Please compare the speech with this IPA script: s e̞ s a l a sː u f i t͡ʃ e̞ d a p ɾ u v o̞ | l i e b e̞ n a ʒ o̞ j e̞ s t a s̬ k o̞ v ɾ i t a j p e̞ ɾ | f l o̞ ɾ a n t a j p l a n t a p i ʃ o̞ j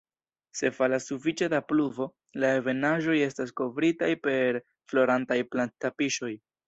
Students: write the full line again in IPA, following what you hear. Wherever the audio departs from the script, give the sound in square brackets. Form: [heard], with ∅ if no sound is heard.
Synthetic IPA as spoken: s e̞ [f] a l a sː u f i t͡ʃ e̞ d a p [l] u v o̞ | l [a] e [v] e̞ n a ʒ o̞ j e̞ s t a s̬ k o̞ v ɾ i t a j p e̞ ɾ | f l o̞ ɾ a n t a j p l a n t a p i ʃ o̞ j